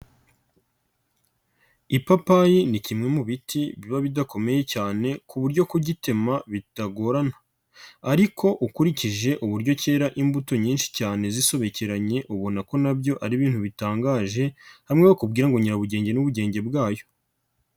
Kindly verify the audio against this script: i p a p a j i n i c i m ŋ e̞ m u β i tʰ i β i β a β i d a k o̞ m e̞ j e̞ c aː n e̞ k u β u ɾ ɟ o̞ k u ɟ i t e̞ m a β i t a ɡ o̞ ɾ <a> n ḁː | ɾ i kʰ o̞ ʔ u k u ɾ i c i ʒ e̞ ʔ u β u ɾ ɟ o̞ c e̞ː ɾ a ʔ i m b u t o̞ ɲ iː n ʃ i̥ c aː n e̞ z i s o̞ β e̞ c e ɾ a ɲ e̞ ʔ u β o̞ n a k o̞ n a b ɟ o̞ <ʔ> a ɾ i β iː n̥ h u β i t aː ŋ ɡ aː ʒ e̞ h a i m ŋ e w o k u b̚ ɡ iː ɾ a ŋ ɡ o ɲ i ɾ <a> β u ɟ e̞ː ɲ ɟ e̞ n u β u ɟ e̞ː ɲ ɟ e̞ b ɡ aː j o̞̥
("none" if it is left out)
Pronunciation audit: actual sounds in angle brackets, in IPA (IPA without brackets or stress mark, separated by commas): a, ʔ, a